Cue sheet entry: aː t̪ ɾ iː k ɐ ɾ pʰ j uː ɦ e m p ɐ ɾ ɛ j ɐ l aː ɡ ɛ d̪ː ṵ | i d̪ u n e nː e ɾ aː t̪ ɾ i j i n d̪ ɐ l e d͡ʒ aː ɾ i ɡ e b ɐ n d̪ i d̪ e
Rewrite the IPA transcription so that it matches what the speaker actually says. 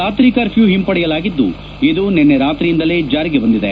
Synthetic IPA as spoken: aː t̪ ɾ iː k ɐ ɾ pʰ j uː ɦ i m p ɐ ɽ ɛ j ɐ l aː ɡ i d̪ː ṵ | i d̪ u n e nː e ɾ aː t̪ ɾ i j i n d̪ ɐ l e d͡ʒ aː ɾ i ɡ e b ɐ n d̪ i d̪ e